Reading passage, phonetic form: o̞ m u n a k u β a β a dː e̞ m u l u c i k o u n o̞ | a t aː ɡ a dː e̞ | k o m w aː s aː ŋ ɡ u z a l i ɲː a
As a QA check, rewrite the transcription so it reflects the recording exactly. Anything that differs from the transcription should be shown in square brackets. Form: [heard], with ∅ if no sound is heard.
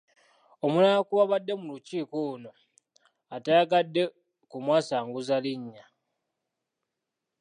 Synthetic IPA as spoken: o̞ m u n a k u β a β a dː e̞ m u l u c [iː] k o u n o̞ | a t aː ɡ a dː e̞ | k [u] m w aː s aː ŋ ɡ u z a l i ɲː a